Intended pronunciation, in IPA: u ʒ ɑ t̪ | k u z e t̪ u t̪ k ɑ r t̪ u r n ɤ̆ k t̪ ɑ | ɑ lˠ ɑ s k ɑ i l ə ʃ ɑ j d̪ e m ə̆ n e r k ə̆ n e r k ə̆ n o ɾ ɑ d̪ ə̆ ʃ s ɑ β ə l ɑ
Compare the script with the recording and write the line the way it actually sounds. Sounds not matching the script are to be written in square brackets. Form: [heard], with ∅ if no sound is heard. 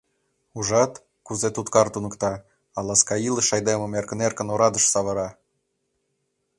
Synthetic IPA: u ʒ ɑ t̪ | k u z e t̪ u t̪ k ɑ r t̪ u [∅] n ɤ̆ k t̪ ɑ | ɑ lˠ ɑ s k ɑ i l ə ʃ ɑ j d̪ e m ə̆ [m] e r k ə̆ n e r k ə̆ n o ɾ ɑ d̪ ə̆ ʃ s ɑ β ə [ɾ] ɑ